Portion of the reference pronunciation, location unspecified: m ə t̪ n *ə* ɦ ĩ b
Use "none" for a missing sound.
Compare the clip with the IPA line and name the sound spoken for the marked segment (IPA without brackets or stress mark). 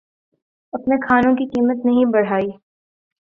ɐ